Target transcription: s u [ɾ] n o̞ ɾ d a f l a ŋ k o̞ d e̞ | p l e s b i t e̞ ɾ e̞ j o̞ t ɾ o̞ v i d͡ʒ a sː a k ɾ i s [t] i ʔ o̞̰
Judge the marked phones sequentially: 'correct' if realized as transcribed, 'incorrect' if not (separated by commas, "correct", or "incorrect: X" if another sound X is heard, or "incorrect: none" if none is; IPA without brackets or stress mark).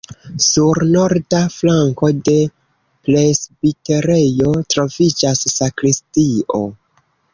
correct, correct